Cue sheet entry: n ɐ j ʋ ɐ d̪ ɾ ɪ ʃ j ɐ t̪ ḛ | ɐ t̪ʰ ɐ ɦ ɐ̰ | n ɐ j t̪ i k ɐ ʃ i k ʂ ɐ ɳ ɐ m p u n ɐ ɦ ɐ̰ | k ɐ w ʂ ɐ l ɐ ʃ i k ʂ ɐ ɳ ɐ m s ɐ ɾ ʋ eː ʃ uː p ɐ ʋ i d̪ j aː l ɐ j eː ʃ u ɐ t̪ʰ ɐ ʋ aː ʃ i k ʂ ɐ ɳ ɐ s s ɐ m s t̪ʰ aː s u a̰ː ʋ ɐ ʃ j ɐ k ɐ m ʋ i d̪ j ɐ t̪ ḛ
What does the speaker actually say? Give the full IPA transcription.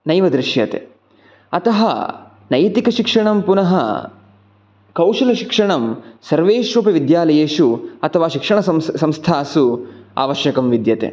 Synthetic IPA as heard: n ɐ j ʋ ɐ d̪ ɾ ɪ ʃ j ɐ t̪ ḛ | ɐ t̪ ɐ ɦ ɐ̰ | n ɐ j t̪ i k ɐ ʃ i k ʂ ɐ ɳ ɐ m p u n ɐ ɦ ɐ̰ | k ɐ w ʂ ɐ l ɐ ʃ i k ʂ ɐ ɳ ɐ m s ɐ ɾ ʋ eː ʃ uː p ɐ ʋ i d̪ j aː l ɐ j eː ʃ u ɐ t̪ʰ ɐ ʋ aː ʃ i k ʂ ɐ ɳ ɐ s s ɐ m s t̪ʰ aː s u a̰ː ʋ ɐ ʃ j ɐ k ɐ m ʋ i d̪ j ɐ t̪ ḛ